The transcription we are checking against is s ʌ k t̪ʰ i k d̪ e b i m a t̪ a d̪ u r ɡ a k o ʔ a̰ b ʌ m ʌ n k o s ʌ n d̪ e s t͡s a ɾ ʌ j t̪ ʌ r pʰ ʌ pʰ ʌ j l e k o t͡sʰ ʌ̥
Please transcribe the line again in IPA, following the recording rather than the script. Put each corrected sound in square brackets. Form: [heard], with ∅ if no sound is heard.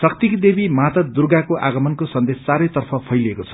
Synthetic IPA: s ʌ k [t̪] i k d̪ e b i m a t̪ [ʌ] d̪ u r ɡ a k o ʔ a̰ [ɡ] ʌ m ʌ n k o s ʌ n d̪ e s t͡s a ɾ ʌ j t̪ ʌ r pʰ ʌ pʰ ʌ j l e k o t͡sʰ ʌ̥